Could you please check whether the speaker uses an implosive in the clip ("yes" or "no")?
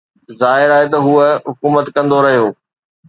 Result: no